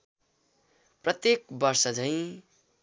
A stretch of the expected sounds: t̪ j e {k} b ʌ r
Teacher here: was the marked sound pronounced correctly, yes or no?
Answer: yes